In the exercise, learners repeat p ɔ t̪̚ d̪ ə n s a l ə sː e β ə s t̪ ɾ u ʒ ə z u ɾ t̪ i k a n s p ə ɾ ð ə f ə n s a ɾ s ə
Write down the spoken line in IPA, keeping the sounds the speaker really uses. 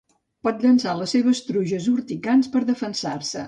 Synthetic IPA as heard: p ɔ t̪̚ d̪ ə n s a l ə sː e β ə s t̪ ɾ u ʒ ə z u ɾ t̪ i k a n s p ə ɾ ð ə f ə n s a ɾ s ə